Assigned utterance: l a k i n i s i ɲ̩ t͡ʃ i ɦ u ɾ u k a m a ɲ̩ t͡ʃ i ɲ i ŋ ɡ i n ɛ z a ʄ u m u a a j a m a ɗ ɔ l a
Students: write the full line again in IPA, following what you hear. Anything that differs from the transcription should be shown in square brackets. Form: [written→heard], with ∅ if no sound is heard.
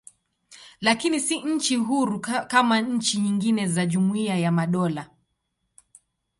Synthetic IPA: l a k i n i s i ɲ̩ t͡ʃ i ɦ u ɾ u k a m a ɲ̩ t͡ʃ i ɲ i ŋ ɡ i n ɛ z a ʄ u m u [a→i] a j a m a ɗ ɔ l a

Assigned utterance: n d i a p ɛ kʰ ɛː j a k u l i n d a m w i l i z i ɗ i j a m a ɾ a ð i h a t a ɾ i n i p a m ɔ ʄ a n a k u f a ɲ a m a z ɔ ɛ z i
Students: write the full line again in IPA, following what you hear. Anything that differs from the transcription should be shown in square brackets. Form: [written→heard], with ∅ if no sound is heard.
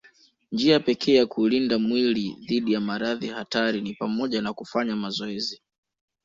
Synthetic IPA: n [d→d͡ʒ] i a p ɛ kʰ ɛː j a k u l i n d a m w i l i [z→ð] i ɗ i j a m a ɾ a ð i h a t a ɾ i n i p a m ɔ ʄ a n a k u f a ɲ a m a z ɔ ɛ z i

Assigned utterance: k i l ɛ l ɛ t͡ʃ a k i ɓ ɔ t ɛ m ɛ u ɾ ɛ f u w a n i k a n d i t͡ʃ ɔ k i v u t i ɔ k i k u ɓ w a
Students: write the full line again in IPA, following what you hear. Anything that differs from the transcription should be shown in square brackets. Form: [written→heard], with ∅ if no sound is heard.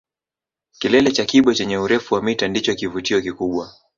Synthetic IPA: k i l ɛ l ɛ t͡ʃ a k i ɓ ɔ [t→t͡ʃ] ɛ [m→ɲ] ɛ u ɾ ɛ f u w a [n→m] i [k→t] a n d i t͡ʃ ɔ k i v u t i ɔ k i k u ɓ w a

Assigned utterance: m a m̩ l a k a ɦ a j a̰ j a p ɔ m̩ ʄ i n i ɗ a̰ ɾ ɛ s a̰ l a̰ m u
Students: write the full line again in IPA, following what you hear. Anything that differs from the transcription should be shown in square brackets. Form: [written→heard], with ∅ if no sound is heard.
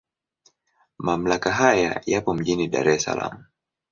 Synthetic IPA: m a m̩ l a k a ɦ a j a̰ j a p ɔ m̩ ʄ i n i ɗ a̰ ɾ ɛ s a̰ l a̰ m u

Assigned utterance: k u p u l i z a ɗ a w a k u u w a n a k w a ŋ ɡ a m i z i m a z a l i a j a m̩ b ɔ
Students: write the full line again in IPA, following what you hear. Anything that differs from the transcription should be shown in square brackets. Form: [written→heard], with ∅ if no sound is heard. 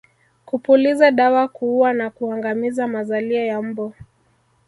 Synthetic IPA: k u p u l i z a ɗ a w a k u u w a n a k [w→u] a ŋ ɡ a m i z [i→a] m a z a l i a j a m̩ b ɔ

